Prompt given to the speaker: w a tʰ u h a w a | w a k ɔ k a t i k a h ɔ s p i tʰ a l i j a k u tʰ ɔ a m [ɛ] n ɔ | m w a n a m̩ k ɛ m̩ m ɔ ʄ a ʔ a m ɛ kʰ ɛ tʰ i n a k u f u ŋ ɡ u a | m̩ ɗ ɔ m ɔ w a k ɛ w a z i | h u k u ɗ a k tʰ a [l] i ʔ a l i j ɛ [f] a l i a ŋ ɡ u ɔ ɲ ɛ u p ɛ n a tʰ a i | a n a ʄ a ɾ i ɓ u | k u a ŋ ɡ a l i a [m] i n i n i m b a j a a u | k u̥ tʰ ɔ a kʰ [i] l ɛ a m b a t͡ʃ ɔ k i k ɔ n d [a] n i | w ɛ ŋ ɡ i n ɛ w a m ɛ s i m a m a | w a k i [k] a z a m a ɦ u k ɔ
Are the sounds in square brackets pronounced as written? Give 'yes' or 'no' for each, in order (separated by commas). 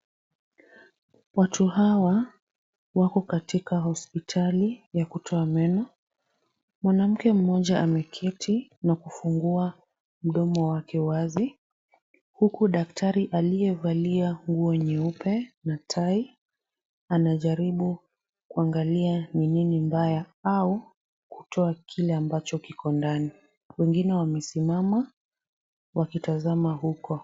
yes, no, no, no, yes, yes, no